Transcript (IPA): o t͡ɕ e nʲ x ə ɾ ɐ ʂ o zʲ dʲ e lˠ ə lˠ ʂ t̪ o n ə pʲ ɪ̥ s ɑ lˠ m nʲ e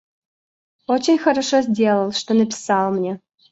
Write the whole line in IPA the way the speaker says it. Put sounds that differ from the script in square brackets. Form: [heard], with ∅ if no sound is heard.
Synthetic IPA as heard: o t͡ɕ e nʲ x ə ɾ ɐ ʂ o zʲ dʲ e lˠ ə lˠ ʂ t̪ o n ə pʲ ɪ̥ s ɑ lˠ m nʲ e